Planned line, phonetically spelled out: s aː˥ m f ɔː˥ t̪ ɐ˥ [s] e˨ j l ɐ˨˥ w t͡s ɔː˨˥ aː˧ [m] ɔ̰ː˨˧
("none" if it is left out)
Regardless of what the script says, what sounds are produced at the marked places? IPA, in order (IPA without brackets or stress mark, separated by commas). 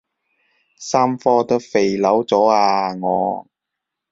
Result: f, ŋ